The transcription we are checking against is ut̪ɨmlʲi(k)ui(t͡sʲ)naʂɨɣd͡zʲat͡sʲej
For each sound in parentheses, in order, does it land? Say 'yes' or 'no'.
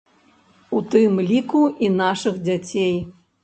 yes, no

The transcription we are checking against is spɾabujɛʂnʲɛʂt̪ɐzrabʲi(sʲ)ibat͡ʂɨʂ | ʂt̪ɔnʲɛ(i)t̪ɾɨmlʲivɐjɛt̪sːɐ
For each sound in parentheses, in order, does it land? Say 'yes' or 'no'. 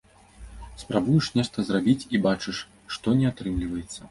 no, no

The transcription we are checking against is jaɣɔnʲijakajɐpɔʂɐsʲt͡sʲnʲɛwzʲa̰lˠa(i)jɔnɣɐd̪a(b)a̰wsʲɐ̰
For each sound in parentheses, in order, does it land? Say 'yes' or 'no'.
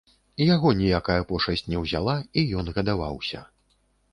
yes, no

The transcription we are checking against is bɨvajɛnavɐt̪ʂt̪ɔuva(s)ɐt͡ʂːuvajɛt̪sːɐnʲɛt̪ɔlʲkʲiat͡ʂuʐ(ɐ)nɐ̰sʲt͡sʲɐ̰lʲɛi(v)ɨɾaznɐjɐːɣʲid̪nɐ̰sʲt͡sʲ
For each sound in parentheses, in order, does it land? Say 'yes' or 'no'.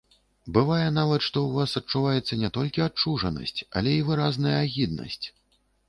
yes, yes, yes

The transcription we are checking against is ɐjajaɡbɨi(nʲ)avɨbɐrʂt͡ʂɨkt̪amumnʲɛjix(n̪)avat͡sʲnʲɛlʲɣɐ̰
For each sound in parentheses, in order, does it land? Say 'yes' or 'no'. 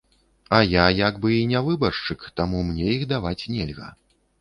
yes, no

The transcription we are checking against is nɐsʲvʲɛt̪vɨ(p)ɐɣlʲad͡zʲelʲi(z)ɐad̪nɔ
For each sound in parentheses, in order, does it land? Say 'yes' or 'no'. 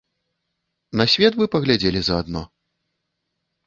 yes, yes

